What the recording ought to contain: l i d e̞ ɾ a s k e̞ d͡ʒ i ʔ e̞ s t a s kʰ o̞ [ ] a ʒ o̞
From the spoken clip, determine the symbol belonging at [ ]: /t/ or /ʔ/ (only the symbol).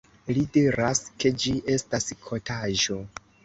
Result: t